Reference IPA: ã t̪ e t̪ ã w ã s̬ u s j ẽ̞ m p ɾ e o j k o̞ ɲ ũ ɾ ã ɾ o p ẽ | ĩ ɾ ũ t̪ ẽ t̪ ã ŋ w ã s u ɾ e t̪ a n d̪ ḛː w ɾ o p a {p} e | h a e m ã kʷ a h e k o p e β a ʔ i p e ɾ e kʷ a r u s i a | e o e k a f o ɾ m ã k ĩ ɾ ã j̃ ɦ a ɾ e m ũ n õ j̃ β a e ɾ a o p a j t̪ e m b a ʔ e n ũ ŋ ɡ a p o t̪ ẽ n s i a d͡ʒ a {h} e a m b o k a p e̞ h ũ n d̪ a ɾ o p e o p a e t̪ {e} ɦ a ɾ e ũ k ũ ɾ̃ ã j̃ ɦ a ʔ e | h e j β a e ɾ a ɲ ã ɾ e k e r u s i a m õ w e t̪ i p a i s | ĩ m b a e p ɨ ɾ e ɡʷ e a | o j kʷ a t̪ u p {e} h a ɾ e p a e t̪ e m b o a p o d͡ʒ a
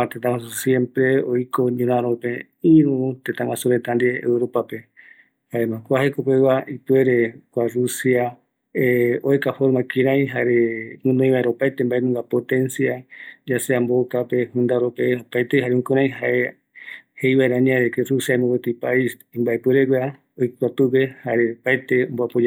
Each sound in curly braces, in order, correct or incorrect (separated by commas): correct, incorrect, correct, correct